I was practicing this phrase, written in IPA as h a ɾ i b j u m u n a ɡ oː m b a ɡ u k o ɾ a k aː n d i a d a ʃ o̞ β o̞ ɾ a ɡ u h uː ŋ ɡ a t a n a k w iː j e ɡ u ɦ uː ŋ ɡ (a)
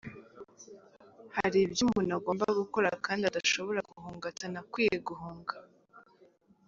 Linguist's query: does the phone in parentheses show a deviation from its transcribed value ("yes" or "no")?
no